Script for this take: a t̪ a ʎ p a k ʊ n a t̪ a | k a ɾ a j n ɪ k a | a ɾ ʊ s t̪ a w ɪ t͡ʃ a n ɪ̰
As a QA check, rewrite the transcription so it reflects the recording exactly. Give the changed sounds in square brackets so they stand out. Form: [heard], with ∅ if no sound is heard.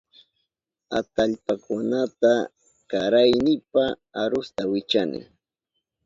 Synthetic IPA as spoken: a t̪ a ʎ p a k ʊ n a t̪ a | k a ɾ a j n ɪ [p] a | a ɾ ʊ s t̪ a w ɪ t͡ʃ a n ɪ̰